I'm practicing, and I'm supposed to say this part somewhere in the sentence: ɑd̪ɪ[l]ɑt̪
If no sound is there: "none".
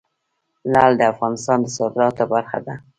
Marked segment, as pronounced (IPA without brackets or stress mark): ɾ